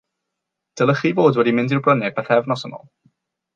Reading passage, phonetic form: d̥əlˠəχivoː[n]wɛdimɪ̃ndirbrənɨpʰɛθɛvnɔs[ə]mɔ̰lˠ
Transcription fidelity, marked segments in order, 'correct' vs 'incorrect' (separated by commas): incorrect, correct